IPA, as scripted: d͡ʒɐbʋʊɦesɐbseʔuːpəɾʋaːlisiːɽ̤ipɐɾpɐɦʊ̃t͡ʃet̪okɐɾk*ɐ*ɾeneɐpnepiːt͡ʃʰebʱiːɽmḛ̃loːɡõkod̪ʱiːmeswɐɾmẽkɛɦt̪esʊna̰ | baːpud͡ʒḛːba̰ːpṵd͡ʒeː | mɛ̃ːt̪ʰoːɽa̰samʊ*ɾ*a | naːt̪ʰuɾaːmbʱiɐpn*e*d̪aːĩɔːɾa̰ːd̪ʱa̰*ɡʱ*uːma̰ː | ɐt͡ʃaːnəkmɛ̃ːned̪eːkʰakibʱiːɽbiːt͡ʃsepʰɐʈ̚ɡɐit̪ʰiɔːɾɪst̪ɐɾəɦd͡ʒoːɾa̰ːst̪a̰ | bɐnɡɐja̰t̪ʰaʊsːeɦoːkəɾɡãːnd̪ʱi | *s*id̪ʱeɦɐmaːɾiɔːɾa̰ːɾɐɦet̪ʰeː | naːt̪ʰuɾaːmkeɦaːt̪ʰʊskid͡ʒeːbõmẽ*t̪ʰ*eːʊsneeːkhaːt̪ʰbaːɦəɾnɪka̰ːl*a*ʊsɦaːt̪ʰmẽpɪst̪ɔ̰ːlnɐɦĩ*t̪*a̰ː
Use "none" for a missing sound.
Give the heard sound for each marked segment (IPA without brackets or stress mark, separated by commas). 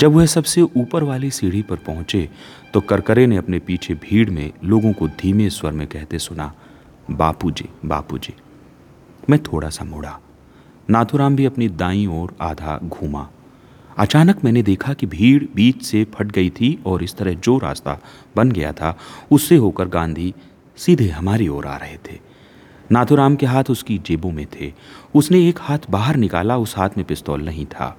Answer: ə, ɽ, i, ɡʱ, s, t̪ʰ, a, t̪ʰ